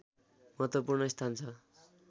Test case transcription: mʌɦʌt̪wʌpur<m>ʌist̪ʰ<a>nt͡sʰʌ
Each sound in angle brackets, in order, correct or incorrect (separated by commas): incorrect, correct